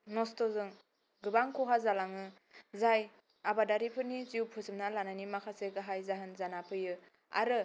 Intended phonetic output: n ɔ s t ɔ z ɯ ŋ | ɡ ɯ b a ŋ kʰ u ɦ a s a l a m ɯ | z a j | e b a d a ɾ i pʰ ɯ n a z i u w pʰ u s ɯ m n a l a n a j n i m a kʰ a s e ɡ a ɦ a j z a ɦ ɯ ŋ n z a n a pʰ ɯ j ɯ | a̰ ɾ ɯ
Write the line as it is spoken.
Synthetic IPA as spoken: n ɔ s t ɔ z ɯ ŋ | ɡ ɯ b a ŋ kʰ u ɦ a z a l a ŋ ɯ | z a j | a b a d a ɾ i pʰ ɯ n i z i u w pʰ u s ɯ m n a l a n a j n i m a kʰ a s e ɡ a ɦ a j z a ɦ ɯ n z a n a pʰ ɯ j ɯ | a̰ ɾ ɯ